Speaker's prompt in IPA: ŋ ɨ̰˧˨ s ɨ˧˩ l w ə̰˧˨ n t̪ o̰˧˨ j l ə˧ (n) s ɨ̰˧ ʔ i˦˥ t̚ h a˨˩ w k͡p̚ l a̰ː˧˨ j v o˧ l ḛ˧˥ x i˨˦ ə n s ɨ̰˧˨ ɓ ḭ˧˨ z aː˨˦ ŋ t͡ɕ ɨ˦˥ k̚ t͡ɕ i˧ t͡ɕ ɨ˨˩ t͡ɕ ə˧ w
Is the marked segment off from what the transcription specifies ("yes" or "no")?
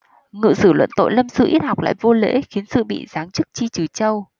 yes